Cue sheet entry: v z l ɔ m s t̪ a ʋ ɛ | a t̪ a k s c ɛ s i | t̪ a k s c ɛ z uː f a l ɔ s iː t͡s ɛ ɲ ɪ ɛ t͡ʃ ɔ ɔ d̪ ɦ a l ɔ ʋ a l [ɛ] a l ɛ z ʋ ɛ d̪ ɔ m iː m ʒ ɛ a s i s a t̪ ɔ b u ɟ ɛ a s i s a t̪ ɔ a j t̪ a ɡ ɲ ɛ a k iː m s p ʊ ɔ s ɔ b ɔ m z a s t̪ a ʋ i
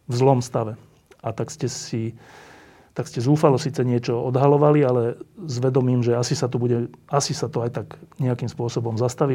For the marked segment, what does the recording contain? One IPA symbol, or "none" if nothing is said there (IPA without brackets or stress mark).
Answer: i